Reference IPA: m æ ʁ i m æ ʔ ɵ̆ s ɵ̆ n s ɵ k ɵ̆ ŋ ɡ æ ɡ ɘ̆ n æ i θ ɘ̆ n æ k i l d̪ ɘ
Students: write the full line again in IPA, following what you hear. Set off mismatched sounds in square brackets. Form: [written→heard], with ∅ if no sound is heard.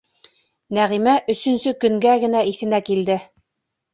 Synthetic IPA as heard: [m→n] æ ʁ i m æ ʔ ɵ̆ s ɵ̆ n s ɵ k ɵ̆ ŋ ɡ æ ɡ ɘ̆ n æ i θ ɘ̆ n æ k i l d̪ ɘ